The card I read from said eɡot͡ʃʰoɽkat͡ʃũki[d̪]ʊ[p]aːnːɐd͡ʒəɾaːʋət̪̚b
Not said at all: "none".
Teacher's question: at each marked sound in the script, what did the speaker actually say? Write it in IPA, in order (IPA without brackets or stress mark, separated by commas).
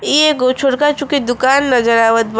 d̪, k